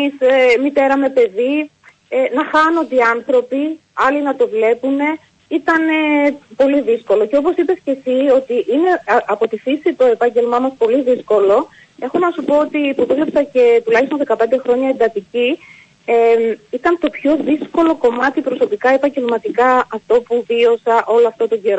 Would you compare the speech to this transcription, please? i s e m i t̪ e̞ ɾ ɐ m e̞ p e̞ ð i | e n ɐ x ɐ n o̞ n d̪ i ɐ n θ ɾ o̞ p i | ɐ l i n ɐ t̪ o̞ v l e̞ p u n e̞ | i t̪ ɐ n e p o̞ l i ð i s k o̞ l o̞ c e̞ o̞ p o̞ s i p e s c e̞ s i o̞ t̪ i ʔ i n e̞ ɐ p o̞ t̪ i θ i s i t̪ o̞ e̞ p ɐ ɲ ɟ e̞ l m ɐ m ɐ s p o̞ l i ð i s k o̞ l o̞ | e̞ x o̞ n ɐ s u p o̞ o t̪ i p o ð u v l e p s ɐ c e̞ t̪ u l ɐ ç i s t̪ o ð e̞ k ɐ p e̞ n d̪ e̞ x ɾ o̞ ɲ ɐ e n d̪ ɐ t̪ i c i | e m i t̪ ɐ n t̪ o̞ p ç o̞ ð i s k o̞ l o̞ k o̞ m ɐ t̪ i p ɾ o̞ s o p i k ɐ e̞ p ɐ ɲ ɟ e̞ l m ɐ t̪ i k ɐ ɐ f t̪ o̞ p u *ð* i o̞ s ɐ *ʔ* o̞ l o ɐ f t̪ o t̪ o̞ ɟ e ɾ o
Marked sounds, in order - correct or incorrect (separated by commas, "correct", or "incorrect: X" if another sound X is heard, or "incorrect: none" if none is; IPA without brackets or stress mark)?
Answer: incorrect: v, correct